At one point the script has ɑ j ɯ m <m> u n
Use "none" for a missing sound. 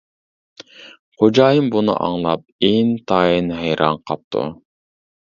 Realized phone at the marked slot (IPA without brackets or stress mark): b